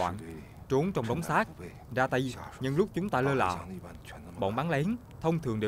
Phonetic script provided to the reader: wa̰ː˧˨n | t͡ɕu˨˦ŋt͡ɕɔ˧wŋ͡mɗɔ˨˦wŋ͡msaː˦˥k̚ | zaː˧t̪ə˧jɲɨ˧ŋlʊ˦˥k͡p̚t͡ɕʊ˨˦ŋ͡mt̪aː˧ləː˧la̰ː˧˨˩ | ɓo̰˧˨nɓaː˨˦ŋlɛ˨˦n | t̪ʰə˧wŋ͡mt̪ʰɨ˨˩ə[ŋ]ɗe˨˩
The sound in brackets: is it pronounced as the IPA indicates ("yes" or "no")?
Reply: yes